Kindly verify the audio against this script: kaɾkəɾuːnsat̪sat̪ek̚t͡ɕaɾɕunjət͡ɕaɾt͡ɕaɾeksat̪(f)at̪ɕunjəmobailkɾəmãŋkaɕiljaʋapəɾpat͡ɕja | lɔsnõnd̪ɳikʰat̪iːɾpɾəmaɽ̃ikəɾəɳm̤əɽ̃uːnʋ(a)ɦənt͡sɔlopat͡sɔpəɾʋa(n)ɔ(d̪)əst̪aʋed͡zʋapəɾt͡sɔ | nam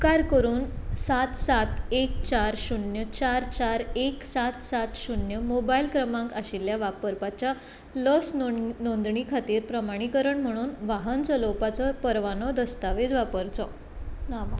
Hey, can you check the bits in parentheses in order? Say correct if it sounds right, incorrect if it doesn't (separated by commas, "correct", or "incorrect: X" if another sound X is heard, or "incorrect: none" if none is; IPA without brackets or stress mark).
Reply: incorrect: s, correct, correct, correct